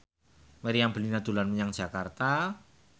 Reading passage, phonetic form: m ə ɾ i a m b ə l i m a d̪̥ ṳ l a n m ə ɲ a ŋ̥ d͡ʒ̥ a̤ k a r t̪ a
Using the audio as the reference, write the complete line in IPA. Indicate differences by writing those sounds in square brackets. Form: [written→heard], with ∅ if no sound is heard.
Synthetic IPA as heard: m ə ɾ i a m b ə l i [m→n] a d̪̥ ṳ l a n m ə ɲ a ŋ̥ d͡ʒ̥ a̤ k a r t̪ a